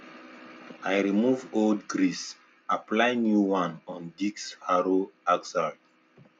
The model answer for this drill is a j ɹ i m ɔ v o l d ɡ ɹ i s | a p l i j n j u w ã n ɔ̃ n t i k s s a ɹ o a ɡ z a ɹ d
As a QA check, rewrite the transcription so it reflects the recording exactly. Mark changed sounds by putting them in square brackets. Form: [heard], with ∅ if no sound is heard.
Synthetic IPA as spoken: a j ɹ i m [u] v o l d ɡ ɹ i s | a p l [a] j n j u w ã n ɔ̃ n [d] i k s [h] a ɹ o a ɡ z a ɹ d